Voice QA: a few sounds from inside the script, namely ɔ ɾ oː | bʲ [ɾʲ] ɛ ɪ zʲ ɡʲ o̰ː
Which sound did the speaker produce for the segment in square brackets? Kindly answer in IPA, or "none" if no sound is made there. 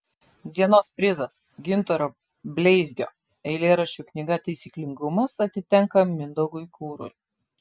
lʲ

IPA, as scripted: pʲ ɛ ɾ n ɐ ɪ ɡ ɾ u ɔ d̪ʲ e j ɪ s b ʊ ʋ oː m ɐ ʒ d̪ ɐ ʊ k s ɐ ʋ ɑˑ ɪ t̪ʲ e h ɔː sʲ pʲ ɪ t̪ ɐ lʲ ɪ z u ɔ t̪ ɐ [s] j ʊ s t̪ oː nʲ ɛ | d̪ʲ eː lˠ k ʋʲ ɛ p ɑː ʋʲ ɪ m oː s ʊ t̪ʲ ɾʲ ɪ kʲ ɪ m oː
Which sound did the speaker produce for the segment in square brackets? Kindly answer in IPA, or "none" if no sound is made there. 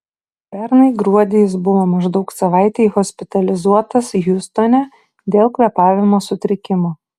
s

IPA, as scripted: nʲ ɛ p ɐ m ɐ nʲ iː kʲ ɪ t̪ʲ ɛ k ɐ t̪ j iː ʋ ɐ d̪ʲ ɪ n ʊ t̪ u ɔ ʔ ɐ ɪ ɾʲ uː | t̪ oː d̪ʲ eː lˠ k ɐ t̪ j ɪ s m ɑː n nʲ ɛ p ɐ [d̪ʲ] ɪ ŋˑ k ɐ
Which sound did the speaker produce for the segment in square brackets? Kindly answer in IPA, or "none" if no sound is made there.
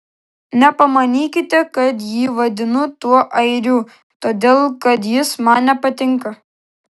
t̪ʲ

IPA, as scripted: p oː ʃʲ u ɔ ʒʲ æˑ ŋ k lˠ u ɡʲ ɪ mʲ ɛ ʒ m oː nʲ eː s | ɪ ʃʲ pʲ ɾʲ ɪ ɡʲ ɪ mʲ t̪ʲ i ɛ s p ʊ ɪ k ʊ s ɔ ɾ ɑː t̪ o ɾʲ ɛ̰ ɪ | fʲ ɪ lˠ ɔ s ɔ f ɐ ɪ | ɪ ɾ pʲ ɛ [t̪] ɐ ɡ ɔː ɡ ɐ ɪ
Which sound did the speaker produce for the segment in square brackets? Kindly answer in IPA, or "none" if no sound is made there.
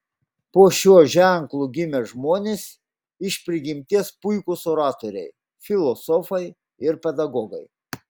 d̪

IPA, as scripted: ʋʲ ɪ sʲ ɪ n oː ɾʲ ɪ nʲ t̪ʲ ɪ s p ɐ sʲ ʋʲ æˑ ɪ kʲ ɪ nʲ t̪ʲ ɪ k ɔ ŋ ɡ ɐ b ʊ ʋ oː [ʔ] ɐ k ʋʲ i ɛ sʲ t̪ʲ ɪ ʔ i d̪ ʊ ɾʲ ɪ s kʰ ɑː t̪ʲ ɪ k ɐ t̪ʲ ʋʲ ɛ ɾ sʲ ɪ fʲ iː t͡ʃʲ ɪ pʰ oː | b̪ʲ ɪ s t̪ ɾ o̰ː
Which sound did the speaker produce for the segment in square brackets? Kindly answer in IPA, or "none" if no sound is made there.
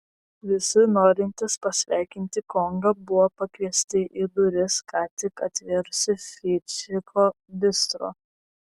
p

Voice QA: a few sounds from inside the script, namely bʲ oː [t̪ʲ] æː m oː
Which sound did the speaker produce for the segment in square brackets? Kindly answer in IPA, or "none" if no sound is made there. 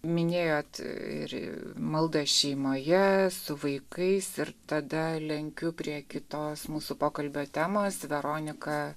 t̪ʲ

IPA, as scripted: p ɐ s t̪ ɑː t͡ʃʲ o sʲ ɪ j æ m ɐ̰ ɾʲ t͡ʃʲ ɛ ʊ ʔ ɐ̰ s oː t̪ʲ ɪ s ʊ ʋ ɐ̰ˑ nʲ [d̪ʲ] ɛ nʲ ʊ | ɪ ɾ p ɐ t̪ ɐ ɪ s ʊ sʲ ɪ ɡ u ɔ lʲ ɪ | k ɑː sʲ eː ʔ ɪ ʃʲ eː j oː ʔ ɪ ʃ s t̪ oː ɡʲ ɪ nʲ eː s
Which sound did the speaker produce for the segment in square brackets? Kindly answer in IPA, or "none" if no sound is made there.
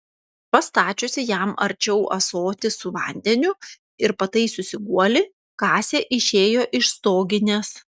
d̪ʲ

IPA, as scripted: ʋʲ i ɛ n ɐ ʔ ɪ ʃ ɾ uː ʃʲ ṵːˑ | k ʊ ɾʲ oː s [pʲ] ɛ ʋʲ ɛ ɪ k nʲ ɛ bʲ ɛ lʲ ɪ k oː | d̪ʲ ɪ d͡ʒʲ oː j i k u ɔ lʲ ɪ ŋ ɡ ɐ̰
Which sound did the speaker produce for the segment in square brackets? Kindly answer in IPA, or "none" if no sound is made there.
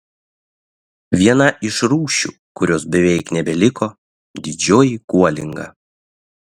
bʲ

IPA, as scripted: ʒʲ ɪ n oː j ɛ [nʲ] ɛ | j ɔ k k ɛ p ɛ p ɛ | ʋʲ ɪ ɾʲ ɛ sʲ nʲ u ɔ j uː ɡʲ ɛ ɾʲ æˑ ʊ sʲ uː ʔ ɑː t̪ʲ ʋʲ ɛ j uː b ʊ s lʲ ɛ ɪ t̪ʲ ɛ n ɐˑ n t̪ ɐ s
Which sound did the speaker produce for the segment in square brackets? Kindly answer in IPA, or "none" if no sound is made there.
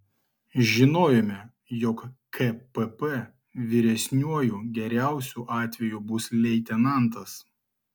mʲ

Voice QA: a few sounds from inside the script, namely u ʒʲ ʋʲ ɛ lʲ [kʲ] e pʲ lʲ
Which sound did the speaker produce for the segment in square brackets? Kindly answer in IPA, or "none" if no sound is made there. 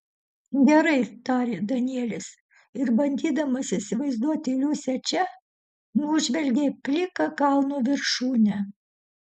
ɡʲ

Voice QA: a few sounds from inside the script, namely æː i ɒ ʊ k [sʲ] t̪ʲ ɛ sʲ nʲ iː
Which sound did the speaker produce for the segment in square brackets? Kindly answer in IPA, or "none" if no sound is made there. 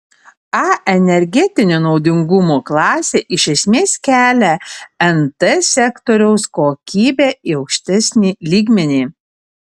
ʃʲ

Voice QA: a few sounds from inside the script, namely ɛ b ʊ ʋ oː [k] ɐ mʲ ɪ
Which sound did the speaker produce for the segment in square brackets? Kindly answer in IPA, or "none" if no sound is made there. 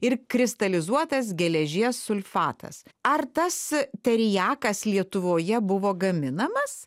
ɡ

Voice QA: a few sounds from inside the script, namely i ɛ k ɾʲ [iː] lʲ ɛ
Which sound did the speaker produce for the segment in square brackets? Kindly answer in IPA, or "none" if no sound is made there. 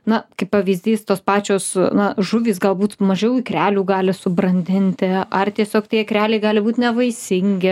æː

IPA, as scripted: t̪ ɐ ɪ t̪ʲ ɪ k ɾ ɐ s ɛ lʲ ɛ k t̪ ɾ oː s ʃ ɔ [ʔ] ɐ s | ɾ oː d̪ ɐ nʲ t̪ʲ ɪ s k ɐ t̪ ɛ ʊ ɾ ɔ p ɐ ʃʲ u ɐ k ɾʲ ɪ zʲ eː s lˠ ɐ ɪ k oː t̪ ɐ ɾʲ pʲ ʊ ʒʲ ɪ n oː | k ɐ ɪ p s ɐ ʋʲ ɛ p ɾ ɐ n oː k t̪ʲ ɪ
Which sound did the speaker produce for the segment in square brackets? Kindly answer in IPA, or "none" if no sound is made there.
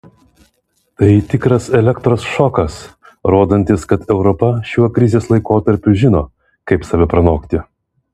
k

